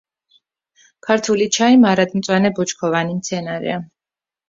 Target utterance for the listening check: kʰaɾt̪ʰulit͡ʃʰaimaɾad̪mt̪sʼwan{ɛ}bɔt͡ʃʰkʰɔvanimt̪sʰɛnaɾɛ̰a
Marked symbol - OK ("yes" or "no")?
yes